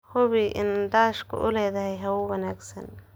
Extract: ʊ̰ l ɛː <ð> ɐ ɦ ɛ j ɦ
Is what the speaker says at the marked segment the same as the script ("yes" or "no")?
yes